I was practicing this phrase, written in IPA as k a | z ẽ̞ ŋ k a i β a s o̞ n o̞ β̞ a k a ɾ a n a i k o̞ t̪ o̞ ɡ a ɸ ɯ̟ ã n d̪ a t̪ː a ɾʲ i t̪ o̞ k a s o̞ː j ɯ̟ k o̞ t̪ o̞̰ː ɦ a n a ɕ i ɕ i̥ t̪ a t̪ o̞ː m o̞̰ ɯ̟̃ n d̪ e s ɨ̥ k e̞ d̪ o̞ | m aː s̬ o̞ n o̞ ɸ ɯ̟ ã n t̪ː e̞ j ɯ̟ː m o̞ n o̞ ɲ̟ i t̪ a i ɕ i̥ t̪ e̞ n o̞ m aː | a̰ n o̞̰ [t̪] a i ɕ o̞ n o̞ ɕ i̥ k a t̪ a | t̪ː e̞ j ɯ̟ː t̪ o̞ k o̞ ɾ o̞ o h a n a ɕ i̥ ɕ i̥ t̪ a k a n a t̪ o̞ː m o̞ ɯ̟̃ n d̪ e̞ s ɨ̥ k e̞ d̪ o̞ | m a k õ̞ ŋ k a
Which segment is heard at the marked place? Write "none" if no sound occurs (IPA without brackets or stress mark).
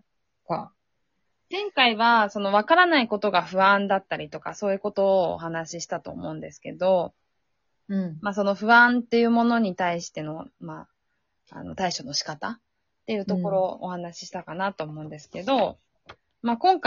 t̪